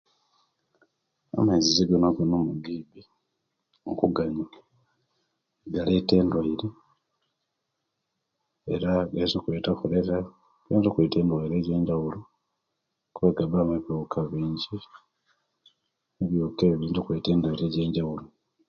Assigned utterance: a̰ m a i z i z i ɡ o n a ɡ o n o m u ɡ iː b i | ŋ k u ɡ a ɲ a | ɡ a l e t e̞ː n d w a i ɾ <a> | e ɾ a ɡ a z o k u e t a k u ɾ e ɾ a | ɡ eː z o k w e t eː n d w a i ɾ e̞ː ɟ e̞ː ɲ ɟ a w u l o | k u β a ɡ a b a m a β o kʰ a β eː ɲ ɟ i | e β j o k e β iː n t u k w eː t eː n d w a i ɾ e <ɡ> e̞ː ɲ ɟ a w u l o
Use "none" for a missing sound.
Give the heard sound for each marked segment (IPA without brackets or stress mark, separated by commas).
e, ɟ